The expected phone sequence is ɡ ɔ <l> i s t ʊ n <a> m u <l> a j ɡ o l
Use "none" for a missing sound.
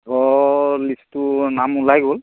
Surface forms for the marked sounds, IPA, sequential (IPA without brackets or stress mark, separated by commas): l, a, l